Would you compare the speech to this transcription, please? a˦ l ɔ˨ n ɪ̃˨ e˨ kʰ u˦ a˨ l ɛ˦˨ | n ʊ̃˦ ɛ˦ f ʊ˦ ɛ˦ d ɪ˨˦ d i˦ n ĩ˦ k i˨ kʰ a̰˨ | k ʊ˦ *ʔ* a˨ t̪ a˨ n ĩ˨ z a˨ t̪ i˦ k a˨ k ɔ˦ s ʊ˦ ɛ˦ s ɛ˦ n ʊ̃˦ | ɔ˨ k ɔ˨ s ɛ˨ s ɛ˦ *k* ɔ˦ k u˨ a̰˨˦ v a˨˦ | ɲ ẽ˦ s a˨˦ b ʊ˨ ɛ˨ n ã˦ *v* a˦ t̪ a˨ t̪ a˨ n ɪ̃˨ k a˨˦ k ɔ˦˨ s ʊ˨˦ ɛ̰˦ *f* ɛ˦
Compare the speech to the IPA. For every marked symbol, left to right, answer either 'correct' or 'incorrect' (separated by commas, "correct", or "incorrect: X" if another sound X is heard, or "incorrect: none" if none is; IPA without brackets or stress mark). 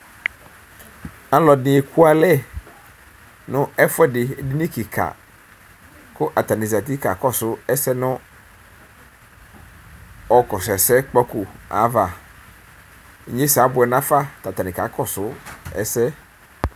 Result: correct, incorrect: k͡p, incorrect: f, incorrect: s